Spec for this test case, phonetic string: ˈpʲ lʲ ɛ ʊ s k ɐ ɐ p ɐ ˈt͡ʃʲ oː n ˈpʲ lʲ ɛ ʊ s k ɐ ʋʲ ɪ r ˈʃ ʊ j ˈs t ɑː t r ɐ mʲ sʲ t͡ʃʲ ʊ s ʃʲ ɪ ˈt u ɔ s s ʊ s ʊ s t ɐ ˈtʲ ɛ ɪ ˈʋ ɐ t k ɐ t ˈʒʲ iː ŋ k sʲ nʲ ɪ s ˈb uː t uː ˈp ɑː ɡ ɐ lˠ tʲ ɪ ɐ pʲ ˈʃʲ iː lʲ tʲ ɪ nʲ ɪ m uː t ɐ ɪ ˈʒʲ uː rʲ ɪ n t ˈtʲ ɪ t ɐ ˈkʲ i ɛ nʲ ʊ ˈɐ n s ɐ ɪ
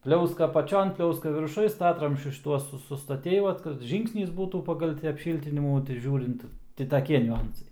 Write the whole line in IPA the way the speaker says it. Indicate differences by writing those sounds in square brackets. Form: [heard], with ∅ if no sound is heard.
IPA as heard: ˈpʲ lʲ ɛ ʊ s k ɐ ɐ p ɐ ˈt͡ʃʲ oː n ˈpʲ lʲ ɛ ʊ s k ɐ ʋʲ ɪ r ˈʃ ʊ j ˈs t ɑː t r ɐ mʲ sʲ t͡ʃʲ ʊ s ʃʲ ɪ ˈt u ɔ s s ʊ s ʊ s t ɐ ˈtʲ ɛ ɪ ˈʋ ɐ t k ɐ t ˈʒʲ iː ŋ k sʲ nʲ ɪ s ˈb uː t uː ˈp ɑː ɡ ɐ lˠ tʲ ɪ ɐ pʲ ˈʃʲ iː lʲ tʲ ɪ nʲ ɪ m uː t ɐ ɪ ˈʒʲ uː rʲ ɪ n t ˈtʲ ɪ t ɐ ˈkʲ i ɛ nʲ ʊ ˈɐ n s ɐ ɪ